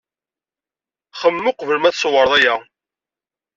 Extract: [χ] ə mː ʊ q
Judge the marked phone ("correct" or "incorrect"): correct